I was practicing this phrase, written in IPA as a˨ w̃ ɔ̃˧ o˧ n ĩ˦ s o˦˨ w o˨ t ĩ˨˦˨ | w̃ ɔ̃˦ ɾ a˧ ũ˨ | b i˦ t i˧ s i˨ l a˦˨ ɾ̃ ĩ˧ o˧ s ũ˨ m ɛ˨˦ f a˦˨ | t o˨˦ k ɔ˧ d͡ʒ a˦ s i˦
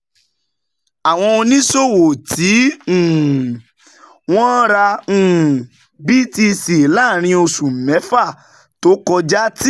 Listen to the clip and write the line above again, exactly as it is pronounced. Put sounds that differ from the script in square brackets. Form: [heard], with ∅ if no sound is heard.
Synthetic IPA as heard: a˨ w̃ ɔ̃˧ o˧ n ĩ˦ s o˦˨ w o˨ t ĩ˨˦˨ | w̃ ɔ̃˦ ɾ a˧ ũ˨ | b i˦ t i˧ s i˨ l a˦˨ ɾ̃ ĩ˧ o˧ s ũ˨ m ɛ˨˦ f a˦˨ | t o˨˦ k ɔ˧ d͡ʒ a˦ [t] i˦

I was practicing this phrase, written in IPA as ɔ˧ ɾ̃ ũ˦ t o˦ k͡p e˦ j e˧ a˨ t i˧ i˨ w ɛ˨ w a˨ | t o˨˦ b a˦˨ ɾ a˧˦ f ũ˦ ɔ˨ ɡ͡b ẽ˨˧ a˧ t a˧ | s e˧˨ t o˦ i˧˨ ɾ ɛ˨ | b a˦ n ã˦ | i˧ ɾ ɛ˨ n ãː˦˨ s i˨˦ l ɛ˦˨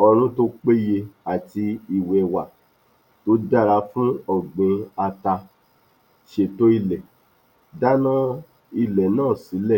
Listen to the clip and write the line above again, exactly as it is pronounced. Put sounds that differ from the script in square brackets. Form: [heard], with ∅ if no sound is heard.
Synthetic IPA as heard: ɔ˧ ɾ̃ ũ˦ t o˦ k͡p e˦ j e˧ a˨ t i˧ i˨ w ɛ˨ w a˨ | t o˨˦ [d] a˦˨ ɾ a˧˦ f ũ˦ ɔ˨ ɡ͡b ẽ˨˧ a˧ t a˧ | [ʃ] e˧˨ t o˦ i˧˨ [l] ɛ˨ | [d] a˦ n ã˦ | i˧ [l] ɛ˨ n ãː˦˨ s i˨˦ l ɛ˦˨

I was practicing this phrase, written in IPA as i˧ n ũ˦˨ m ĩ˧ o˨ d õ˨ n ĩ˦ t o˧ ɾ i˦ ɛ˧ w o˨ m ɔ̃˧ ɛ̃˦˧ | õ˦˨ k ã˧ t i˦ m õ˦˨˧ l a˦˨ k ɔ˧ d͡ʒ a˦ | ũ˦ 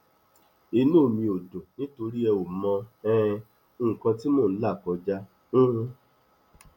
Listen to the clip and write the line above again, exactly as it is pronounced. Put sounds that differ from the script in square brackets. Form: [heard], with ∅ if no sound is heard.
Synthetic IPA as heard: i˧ n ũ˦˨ m ĩ˧ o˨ d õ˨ n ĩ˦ t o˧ ɾ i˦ ɛ˧ w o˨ m ɔ̃˧ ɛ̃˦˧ | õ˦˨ k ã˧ t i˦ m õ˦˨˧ l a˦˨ k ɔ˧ d͡ʒ a˦ | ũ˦

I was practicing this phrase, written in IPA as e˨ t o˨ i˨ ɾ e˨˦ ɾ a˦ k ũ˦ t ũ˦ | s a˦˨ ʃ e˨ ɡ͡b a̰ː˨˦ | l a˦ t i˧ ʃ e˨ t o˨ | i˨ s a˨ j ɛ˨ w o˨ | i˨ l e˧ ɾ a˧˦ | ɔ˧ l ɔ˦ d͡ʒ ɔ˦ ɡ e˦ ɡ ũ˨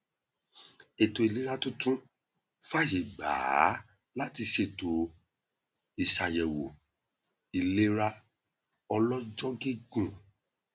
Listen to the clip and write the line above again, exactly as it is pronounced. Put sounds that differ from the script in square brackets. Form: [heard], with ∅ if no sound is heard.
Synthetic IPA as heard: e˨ t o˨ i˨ [l] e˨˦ ɾ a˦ [t] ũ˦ t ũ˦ | [f] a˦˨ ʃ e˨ ɡ͡b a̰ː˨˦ | l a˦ t i˧ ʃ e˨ t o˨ | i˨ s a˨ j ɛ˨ w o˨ | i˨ l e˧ ɾ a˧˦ | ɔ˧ l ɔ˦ d͡ʒ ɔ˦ ɡ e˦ ɡ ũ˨

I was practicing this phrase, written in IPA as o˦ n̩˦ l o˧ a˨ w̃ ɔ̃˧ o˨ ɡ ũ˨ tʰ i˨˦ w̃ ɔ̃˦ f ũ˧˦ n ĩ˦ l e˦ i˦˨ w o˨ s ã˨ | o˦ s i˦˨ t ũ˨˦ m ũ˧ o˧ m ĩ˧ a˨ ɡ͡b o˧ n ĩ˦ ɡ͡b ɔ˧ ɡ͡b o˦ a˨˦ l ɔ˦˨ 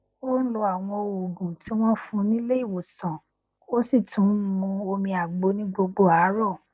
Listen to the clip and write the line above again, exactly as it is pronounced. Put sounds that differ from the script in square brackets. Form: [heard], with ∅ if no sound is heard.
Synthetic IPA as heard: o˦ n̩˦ l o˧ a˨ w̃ ɔ̃˧ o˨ ɡ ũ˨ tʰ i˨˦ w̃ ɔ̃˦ f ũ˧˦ n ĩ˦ l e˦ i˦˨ w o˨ s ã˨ | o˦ s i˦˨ t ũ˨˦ m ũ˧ o˧ m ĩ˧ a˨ ɡ͡b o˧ n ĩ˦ ɡ͡b [o˧] ɡ͡b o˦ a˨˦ [ɾ] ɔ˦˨

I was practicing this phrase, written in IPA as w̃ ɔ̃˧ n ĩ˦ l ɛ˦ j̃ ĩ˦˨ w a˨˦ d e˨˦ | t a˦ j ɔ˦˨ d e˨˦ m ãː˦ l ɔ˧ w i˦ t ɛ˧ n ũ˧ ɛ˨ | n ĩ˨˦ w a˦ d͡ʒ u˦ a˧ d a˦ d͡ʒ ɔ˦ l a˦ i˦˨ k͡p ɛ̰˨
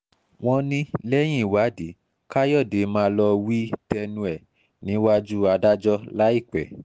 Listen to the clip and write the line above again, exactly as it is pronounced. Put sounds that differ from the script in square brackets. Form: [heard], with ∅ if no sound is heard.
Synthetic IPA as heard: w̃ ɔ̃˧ n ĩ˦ l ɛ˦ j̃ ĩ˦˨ w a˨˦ d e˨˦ | [k] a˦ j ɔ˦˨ d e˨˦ m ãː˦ l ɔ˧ w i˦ t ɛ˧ n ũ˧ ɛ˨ | n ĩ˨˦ w a˦ d͡ʒ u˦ a˧ d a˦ d͡ʒ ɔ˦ l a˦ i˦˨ k͡p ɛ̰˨

